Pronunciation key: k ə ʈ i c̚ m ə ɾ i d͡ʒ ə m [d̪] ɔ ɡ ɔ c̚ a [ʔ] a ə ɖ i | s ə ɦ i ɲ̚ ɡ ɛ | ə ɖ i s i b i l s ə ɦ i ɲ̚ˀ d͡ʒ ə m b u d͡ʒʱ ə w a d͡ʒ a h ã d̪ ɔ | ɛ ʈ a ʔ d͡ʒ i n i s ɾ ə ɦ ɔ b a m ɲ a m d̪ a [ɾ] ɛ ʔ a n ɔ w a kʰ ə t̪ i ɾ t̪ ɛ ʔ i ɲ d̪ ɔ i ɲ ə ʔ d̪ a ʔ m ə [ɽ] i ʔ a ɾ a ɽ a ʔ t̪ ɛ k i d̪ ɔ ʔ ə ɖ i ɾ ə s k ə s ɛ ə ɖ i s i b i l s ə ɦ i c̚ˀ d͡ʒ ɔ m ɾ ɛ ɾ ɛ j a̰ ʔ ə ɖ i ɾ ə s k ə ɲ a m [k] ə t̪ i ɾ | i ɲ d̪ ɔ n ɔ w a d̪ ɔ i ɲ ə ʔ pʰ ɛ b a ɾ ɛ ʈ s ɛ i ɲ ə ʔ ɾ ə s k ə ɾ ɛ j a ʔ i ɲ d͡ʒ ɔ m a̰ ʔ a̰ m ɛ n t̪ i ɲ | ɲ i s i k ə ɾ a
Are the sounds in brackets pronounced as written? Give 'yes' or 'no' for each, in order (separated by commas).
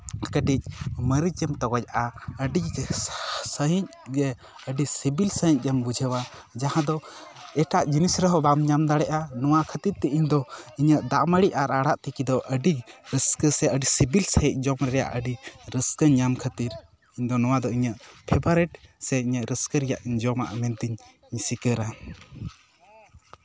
no, yes, no, yes, no